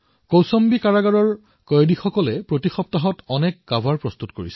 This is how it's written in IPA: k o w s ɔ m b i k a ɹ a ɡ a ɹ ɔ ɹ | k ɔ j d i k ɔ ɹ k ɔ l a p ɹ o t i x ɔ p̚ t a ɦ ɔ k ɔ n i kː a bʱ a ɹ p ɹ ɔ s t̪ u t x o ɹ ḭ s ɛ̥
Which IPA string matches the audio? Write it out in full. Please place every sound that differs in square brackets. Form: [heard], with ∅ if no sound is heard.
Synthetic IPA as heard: k o w s ɔ m b i k a ɹ a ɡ a ɹ ɔ ɹ | k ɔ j d i [x] ɔ [∅] k ɔ l [ɛ] p ɹ o t i x ɔ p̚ t a ɦ ɔ [t] ɔ n [ɛ] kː a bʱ a ɹ p ɹ ɔ s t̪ u t [k] o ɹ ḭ s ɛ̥